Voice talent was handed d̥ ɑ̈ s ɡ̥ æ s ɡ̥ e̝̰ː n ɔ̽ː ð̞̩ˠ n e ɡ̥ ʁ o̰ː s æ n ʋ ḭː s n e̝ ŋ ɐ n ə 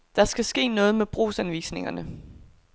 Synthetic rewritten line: d̥ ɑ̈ s ɡ̥ æ s ɡ̥ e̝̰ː n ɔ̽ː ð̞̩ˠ m e b̥ ʁ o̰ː s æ n ʋ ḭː s n e̝ ŋ ɐ n ə